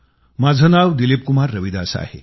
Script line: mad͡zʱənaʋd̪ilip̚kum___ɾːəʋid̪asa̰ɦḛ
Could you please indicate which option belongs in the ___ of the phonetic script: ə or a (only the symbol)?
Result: a